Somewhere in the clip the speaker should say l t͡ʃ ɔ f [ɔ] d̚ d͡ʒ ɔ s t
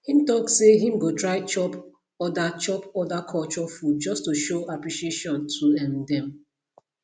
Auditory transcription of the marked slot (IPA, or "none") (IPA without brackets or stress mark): u